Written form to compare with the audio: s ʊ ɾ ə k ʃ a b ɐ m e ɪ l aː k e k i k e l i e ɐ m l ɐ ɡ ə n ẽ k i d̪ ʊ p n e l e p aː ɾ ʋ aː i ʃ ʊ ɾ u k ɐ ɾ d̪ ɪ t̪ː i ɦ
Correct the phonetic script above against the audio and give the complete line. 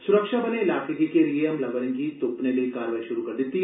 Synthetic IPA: s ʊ ɾ ə k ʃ a b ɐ n e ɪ l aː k e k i k e l i e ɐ m l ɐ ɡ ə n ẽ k i t̪ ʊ p n e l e k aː ɾ ʋ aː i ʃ ʊ ɾ u k ɐ ɾ d̪ ɪ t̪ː i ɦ